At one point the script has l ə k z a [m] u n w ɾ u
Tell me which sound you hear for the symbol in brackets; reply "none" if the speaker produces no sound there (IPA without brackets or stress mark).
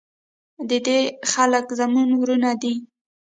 m